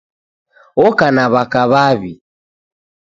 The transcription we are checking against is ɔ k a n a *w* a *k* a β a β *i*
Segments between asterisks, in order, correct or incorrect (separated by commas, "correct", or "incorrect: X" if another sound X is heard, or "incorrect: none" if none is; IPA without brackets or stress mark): incorrect: β, correct, correct